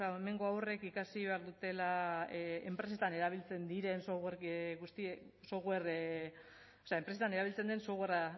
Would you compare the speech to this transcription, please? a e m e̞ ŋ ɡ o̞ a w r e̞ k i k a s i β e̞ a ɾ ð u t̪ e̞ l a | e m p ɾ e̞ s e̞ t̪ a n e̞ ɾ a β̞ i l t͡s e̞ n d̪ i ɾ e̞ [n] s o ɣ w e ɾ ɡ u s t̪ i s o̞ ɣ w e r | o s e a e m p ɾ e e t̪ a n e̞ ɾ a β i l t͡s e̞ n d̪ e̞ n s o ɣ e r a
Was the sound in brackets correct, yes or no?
yes